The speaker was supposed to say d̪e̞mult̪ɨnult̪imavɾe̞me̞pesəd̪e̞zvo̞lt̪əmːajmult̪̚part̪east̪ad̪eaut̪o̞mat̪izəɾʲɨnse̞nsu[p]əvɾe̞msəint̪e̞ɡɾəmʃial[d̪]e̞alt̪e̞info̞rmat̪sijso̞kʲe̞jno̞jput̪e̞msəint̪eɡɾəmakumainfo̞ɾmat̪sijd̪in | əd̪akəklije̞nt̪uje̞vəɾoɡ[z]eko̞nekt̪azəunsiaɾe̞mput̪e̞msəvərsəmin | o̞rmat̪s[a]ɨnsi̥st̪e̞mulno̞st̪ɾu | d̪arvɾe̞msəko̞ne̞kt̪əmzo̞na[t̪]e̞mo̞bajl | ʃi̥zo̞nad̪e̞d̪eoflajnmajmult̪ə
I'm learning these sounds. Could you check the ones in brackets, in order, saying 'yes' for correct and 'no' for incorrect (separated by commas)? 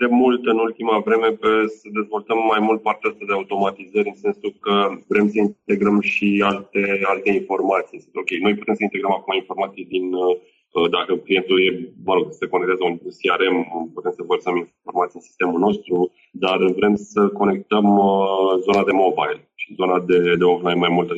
no, no, no, no, no